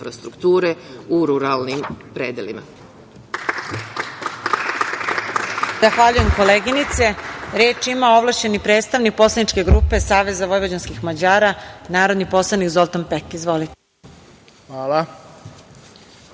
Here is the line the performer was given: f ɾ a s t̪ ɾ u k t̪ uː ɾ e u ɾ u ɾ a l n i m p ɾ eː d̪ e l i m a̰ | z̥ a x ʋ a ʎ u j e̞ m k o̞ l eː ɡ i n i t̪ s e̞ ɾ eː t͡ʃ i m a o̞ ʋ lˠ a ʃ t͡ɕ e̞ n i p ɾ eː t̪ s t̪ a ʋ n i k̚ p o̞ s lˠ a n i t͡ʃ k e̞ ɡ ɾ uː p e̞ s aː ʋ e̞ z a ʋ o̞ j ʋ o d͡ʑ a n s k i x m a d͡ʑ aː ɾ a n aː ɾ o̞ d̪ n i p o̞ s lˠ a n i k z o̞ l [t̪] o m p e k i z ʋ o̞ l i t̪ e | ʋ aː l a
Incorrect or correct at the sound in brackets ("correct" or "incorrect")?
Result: correct